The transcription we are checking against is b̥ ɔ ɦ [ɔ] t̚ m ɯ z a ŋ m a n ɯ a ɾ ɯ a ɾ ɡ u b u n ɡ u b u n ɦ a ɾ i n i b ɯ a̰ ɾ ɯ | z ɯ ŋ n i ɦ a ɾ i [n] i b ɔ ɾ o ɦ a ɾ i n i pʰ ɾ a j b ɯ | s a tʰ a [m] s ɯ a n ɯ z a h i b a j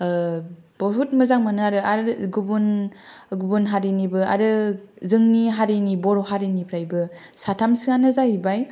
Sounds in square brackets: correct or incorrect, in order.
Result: incorrect: u, correct, correct

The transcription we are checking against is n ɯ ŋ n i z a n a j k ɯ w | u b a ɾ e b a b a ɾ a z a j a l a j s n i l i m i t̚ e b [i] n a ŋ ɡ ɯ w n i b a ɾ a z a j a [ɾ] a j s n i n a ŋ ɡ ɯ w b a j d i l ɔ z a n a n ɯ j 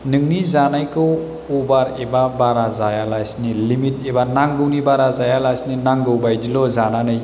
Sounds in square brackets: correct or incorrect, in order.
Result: incorrect: a, incorrect: l

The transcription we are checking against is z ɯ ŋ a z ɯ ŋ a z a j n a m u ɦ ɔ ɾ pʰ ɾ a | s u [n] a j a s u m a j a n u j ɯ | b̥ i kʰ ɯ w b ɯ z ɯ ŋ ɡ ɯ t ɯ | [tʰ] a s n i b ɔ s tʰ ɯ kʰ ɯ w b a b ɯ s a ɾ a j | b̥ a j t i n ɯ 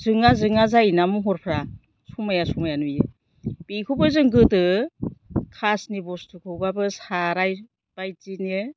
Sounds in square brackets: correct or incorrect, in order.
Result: incorrect: m, incorrect: kʰ

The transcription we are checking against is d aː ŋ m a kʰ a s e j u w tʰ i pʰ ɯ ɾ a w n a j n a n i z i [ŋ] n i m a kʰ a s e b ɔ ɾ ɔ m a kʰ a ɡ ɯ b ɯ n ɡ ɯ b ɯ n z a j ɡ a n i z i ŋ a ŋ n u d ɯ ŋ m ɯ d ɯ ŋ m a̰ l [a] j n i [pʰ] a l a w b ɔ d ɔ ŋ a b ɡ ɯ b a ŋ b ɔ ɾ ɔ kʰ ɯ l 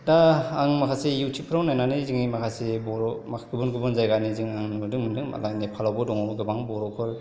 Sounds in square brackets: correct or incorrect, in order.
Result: correct, correct, correct

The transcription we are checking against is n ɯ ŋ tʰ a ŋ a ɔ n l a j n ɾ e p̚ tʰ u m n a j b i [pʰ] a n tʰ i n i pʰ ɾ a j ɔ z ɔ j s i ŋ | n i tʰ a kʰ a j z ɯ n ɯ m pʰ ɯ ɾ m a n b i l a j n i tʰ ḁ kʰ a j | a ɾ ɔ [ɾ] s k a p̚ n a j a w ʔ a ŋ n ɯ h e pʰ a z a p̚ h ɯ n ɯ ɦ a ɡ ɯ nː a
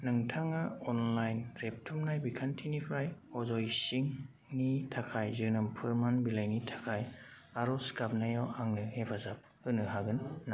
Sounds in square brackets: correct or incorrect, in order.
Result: incorrect: kʰ, incorrect: none

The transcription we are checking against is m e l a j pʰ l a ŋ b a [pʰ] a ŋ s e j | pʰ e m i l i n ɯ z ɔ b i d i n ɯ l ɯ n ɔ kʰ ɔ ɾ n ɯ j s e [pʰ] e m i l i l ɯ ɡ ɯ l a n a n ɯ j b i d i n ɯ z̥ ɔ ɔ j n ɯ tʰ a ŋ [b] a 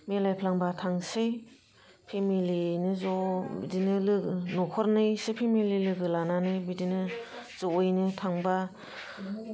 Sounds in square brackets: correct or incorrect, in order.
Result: incorrect: tʰ, correct, correct

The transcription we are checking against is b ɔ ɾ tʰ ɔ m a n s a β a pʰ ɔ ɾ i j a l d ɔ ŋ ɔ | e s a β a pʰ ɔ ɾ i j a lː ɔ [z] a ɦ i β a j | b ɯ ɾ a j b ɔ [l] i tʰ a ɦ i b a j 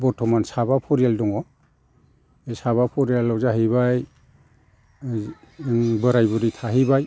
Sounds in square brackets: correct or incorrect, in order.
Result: correct, incorrect: ɾ

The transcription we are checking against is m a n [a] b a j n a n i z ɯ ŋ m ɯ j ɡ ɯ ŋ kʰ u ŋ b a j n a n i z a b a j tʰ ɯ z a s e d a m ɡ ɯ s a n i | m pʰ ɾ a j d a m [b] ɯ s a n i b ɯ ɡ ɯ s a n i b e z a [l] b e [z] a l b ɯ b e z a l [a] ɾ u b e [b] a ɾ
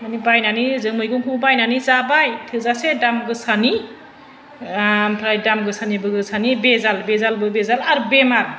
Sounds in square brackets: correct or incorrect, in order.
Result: incorrect: i, incorrect: ɡ, correct, correct, correct, incorrect: m

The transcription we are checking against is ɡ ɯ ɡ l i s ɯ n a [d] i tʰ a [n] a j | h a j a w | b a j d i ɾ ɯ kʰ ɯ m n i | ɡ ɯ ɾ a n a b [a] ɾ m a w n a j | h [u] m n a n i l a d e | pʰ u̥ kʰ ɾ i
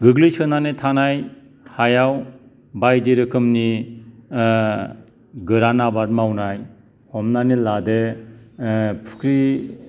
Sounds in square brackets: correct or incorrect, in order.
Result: incorrect: n, correct, correct, incorrect: ɔ

